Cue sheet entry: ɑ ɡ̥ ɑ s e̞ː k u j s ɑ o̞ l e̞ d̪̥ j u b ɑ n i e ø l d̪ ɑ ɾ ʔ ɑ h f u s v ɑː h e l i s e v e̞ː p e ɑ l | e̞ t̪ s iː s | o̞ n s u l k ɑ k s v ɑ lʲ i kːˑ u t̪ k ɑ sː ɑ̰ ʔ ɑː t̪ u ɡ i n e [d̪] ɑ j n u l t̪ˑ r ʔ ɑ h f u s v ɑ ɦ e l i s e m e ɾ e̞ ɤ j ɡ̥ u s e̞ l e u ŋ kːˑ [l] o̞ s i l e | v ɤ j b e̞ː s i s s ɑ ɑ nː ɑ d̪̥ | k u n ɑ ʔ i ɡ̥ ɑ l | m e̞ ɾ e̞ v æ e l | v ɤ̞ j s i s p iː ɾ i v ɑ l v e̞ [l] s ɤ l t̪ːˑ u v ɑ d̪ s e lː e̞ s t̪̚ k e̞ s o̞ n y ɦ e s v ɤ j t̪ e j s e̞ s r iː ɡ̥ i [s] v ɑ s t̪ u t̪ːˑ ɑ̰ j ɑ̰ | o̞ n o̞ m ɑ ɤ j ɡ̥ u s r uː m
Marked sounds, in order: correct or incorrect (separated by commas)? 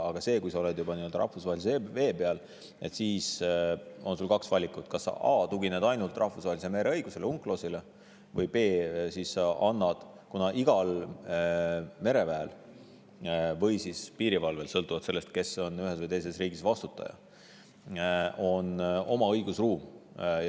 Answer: correct, correct, correct, correct